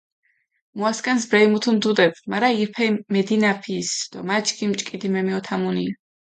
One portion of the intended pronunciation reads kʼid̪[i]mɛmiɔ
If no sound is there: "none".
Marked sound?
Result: i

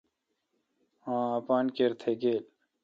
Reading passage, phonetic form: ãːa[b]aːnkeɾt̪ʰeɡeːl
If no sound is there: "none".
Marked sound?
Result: p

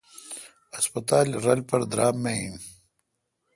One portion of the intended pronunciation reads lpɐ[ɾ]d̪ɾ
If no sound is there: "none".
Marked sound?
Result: ɾ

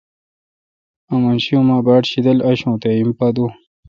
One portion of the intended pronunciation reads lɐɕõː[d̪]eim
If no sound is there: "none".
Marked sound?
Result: t̪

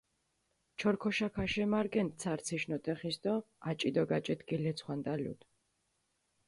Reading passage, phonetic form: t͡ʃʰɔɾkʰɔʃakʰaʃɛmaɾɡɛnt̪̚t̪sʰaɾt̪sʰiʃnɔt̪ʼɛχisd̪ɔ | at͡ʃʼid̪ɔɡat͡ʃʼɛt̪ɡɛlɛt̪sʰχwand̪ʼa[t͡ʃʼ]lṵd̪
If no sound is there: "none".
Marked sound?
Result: none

